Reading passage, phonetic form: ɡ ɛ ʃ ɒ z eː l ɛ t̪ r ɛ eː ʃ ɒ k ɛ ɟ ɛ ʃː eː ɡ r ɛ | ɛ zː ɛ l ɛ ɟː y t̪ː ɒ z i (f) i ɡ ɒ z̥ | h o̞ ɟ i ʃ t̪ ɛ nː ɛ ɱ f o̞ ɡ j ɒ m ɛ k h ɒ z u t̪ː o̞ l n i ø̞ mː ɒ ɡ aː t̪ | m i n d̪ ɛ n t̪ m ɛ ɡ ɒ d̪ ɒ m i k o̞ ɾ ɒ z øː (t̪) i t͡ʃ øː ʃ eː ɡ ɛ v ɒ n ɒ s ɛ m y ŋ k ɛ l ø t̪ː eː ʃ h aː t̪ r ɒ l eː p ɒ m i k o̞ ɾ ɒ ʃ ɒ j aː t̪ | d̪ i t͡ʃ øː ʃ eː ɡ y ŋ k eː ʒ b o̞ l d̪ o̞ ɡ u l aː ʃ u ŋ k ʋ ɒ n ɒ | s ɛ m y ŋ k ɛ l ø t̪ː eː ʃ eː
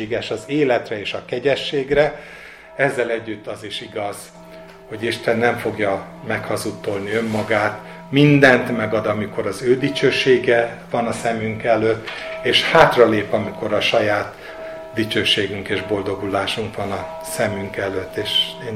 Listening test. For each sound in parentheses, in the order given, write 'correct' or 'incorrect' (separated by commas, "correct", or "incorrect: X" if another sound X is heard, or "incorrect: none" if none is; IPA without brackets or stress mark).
incorrect: ʃ, incorrect: d̪